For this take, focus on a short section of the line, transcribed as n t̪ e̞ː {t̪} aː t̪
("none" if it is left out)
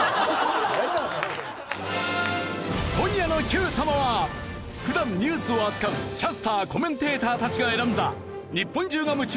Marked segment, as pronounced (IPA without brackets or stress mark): t̪